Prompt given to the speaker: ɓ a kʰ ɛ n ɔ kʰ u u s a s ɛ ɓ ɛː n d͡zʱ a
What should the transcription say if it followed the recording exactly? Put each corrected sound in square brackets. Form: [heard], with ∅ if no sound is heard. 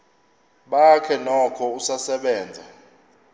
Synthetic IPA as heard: ɓ a kʰ ɛ n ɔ kʰ [ɔ] u s a s ɛ ɓ ɛː n d͡zʱ a